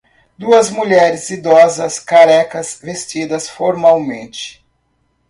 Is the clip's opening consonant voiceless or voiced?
voiced